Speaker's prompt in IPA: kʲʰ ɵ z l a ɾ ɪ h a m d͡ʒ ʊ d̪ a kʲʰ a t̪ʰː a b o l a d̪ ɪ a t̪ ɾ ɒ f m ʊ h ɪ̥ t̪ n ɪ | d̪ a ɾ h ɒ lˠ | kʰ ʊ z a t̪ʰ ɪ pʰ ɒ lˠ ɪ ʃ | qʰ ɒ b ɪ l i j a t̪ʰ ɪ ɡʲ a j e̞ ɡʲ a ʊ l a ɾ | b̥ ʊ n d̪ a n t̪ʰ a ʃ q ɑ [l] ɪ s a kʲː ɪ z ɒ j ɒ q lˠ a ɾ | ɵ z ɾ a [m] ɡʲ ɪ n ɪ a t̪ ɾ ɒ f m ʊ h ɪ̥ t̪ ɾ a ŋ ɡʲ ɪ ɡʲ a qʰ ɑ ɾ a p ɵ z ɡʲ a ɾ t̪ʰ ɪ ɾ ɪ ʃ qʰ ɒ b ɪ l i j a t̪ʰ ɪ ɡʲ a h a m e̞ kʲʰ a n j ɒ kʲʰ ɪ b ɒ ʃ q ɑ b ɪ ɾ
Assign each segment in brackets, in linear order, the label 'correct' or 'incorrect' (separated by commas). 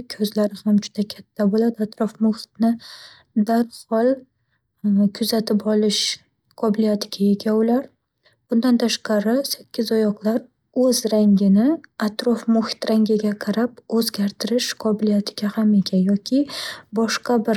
incorrect, incorrect